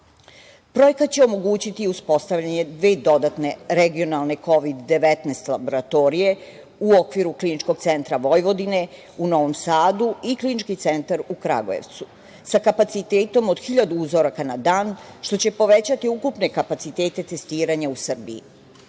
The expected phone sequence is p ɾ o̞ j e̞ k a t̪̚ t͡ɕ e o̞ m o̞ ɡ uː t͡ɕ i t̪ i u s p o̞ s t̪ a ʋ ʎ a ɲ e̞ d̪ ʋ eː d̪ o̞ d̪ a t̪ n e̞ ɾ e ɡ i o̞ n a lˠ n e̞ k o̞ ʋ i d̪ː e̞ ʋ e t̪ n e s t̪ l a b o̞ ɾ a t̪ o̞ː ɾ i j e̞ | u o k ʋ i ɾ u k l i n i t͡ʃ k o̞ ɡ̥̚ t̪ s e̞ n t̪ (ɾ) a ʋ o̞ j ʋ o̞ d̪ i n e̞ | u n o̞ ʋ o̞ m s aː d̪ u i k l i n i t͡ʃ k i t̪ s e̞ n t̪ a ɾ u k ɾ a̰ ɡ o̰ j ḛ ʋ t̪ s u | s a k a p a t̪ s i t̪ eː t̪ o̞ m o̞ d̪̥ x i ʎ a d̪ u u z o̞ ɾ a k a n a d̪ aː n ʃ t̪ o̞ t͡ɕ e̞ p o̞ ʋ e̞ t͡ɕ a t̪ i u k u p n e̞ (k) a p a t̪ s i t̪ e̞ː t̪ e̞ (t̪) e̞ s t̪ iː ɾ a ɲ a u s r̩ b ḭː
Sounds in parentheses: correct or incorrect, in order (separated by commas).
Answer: correct, correct, correct